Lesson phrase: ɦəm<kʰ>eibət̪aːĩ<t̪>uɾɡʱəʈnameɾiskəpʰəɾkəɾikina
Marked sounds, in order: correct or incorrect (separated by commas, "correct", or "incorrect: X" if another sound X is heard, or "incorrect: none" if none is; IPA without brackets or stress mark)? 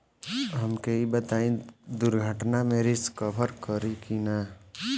incorrect: k, incorrect: d̪